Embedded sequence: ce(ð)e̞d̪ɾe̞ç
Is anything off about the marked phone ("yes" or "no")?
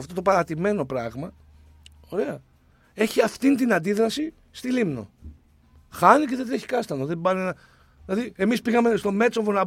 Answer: no